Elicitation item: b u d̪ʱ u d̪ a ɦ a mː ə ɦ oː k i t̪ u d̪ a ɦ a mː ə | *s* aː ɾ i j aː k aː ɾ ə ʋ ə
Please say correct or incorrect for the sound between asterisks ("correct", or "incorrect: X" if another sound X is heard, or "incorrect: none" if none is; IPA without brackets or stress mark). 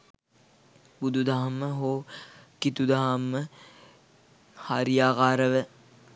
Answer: incorrect: h